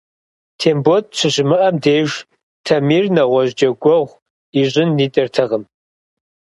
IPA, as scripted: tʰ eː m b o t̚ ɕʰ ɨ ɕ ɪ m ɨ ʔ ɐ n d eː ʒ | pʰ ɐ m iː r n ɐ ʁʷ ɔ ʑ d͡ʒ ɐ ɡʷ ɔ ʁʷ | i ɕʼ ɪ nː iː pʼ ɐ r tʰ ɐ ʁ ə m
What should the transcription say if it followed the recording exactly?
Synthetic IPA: tʰ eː m b o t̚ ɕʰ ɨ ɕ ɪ m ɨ ʔ ɐ m d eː ʒ | tʰ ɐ m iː r n ɐ ʁʷ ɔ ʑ d͡ʒ ɐ ɡʷ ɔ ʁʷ | i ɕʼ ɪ nː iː tʼ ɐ r tʰ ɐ ʁ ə m

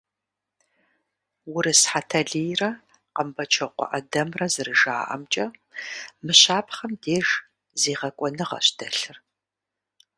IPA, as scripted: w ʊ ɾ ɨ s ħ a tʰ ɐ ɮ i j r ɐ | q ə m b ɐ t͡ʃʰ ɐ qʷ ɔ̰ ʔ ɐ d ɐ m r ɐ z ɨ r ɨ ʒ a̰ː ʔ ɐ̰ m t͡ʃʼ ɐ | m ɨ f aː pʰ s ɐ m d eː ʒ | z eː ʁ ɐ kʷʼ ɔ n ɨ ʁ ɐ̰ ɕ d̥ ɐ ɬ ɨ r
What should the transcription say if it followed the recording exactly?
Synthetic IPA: w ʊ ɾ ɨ s ħ a tʰ ɐ ɮ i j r ɐ | q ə m b ɐ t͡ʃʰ ɐ qʷ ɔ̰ ʔ ɐ d ɐ m r ɐ z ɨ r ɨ ʒ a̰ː ʔ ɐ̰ m t͡ʃʼ ɐ | m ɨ ɕ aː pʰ χ ɐ m d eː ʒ | z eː ʁ ɐ kʷʼ ɔ n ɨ ʁ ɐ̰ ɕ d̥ ɐ ɬ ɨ r

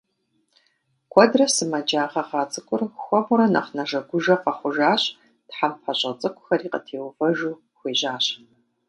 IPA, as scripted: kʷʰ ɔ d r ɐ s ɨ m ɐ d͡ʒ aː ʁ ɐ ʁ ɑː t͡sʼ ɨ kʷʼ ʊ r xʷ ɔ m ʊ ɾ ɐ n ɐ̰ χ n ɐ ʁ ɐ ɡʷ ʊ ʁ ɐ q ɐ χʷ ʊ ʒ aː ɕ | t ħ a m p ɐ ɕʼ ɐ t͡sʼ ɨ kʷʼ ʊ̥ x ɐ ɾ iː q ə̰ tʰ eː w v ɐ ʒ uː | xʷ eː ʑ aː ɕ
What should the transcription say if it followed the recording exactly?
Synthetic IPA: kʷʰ ɔ d r ɐ s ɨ m ɐ d͡ʒ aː ʁ ɐ ʁ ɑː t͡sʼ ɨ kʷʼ ʊ r xʷ ɔ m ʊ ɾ ɐ n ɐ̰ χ n ɐ ʒ ɐ ɡʷ ʊ ʒ ɐ q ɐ χʷ ʊ ʒ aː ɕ | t ħ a m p ɐ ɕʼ ɐ t͡sʼ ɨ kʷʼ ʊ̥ x ɐ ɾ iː q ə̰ tʰ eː w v ɐ ʒ uː | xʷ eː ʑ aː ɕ

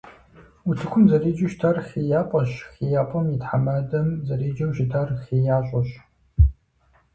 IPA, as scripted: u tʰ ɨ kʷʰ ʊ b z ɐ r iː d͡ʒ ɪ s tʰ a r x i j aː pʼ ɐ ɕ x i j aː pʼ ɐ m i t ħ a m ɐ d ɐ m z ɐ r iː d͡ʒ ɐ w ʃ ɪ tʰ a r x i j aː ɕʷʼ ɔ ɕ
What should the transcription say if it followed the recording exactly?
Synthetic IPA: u tʰ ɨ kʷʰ ʊ m z ɐ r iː d͡ʒ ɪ ʃ tʰ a r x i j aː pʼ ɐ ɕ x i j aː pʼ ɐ m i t ħ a m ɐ d ɐ m z ɐ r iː d͡ʒ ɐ w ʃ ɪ tʰ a r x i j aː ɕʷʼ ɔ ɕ

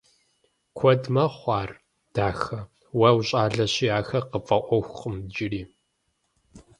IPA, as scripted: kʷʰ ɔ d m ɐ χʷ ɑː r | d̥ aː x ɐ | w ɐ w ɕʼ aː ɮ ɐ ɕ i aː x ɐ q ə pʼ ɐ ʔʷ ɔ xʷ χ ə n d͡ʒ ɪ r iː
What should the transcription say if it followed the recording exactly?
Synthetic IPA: kʷʰ ɔ d m ɐ χʷ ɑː r | d̥ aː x ɐ | w ɐ w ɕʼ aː ɮ ɐ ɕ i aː x ɐ q ə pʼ ɐ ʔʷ ɔ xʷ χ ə m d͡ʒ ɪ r iː

